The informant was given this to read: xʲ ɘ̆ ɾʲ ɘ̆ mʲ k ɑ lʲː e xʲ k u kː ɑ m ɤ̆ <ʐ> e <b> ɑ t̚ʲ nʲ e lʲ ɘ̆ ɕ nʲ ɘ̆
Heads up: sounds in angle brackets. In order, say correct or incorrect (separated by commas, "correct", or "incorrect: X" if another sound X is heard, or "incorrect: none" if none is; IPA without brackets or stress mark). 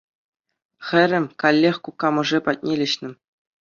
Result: correct, incorrect: p